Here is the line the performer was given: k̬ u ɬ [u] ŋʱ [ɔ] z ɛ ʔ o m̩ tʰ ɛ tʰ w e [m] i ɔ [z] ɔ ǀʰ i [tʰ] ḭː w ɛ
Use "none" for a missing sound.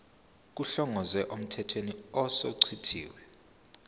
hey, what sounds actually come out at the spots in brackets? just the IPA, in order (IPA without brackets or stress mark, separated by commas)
ɔ, ɔ, n, s, tʰ